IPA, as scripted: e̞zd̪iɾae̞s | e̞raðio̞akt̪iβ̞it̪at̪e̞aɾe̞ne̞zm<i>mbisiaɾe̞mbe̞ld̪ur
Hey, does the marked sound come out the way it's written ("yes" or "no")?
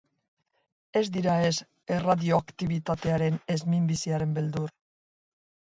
yes